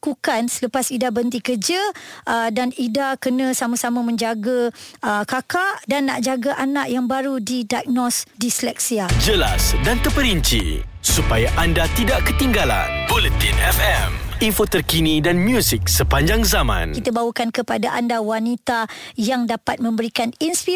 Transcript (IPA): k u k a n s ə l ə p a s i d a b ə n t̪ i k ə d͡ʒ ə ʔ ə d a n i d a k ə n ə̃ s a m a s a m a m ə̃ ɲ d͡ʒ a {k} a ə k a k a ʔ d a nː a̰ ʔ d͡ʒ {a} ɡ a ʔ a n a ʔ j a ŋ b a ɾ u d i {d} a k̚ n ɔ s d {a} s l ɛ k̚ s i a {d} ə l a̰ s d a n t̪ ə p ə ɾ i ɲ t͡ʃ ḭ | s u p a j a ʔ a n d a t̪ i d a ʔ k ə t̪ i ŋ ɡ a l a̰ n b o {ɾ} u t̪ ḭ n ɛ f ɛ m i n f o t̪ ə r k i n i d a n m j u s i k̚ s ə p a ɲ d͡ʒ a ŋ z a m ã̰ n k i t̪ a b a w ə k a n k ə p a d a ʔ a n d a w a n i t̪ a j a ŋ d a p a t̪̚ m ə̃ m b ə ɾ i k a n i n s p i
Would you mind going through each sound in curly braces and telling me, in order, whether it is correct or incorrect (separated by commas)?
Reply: incorrect, correct, correct, incorrect, incorrect, incorrect